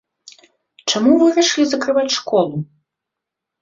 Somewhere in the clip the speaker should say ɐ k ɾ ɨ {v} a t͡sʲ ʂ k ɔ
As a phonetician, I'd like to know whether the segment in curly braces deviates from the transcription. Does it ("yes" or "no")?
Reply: no